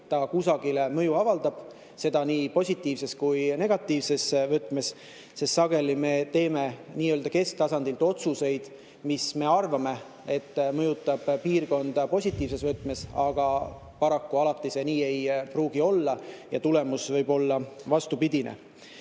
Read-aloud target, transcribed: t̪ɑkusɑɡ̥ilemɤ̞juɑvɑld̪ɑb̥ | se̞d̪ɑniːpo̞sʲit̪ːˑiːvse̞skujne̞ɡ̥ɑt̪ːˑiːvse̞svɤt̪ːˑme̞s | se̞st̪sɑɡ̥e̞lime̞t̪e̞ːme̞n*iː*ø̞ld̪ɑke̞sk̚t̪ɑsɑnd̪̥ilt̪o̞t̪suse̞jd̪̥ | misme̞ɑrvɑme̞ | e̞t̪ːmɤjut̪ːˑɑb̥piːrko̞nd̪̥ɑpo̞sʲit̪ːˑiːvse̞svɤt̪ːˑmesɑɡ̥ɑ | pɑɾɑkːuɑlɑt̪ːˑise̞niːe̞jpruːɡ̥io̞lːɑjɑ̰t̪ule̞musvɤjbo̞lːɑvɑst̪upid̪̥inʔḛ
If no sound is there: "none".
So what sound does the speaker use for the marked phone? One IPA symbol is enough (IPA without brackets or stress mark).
iː